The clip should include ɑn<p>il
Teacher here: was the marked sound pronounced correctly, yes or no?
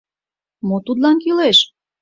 no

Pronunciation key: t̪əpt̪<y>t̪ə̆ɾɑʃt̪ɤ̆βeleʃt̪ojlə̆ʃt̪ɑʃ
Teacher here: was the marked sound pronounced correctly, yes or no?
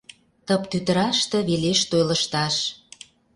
yes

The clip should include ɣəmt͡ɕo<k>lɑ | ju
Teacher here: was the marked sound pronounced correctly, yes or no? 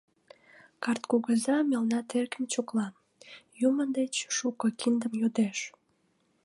yes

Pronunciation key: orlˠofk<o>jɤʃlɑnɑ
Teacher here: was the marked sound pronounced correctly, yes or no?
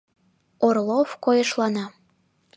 yes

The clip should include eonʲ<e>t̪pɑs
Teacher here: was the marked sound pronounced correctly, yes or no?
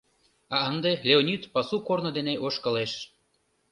no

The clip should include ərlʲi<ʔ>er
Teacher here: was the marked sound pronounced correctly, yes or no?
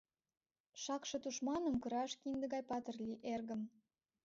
yes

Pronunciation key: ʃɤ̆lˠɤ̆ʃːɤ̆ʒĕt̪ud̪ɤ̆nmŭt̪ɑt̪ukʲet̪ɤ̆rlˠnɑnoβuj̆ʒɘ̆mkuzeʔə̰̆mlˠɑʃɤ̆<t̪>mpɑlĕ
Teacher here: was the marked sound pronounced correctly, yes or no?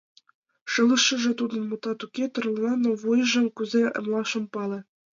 no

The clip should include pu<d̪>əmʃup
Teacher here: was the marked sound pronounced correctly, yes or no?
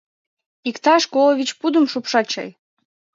yes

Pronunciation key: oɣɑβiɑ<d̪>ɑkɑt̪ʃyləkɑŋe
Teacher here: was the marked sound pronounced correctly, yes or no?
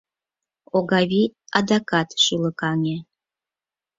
yes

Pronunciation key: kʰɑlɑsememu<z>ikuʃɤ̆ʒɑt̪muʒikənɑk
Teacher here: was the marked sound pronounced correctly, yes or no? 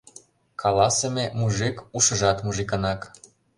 no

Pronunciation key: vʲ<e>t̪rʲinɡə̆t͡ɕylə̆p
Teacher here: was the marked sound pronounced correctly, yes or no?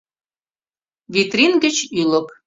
no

